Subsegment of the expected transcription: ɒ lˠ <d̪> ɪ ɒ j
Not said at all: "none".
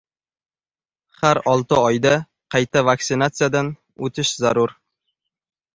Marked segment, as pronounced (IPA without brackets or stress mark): t̪